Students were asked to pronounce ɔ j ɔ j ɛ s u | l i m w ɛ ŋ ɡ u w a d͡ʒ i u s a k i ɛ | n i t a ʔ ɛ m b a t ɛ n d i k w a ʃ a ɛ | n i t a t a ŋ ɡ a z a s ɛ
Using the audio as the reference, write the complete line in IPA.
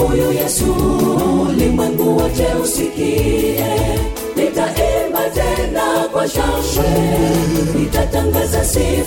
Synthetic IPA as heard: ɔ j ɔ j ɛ s u | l i m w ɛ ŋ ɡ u w a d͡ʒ ɛ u s i k i ɛ | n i t a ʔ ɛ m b a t ɛ n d a k w a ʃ a ɛ | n i t a t a ŋ ɡ a z a s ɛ